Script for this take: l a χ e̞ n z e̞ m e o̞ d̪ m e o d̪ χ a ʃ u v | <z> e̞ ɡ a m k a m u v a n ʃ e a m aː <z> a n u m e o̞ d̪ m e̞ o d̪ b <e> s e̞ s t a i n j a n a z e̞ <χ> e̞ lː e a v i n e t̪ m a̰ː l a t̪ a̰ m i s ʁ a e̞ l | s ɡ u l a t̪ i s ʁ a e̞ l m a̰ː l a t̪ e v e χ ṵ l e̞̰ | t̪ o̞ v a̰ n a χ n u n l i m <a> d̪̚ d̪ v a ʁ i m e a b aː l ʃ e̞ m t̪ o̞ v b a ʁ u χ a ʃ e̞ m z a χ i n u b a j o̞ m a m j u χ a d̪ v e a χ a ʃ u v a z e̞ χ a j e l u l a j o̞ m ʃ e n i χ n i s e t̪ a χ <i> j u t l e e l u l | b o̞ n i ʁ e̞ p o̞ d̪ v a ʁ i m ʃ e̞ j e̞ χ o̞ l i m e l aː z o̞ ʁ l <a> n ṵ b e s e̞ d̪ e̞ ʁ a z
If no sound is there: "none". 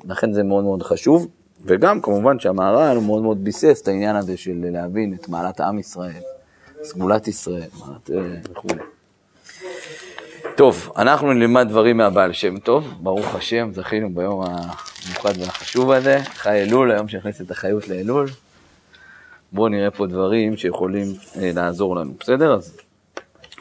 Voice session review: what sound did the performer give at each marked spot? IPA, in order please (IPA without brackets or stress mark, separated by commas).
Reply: v, ʁ, i, ʃ, a, a, a